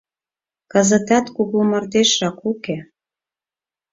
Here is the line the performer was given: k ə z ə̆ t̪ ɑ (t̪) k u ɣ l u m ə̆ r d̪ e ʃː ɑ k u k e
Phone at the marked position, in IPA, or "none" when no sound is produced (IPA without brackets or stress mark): t̪